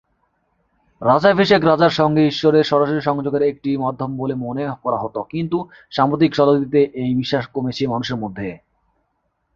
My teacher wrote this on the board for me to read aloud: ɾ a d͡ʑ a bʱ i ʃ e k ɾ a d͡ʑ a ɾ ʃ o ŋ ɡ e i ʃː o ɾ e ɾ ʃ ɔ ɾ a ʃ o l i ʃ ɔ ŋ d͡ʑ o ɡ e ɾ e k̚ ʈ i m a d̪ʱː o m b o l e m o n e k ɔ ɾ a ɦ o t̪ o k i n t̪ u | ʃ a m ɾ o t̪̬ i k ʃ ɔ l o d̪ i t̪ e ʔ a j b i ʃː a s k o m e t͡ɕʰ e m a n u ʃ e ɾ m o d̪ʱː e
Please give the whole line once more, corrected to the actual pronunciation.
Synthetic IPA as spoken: ɾ a d͡ʑ a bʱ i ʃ e k ɾ a d͡ʑ a ɾ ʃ ɔ ŋ ɡ e i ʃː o ɾ e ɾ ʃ ɔ ɾ a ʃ o ɾ i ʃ ɔ ŋ d͡ʑ o ɡ e ɾ e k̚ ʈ i m a d̪ʱː o m b o l e m o n e k ɔ ɾ a ɦ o t̪ o k i n t̪ u | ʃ a m ɾ o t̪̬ i k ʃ ɔ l o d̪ i t̪ e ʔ e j b i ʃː a ʃ k o m e t͡ɕʰ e m a n u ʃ e ɾ m o d̪ʱː e